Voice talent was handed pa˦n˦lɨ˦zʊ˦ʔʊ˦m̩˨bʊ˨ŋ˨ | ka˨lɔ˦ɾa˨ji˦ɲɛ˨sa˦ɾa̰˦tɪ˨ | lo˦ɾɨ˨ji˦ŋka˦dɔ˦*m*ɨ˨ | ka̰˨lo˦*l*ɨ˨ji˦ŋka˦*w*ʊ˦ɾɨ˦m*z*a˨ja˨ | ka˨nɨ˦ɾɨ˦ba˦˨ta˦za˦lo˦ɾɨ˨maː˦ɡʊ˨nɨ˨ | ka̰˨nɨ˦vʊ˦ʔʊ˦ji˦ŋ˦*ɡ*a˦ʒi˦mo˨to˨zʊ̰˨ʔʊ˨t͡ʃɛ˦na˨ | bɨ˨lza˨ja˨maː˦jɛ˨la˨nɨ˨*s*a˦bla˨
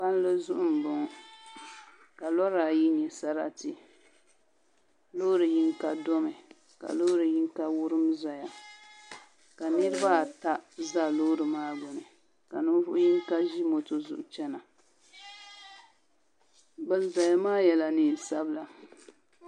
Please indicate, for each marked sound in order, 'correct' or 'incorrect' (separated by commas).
correct, incorrect, correct, correct, incorrect, correct